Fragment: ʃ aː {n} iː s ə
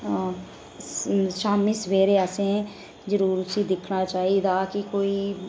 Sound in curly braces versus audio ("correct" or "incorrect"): incorrect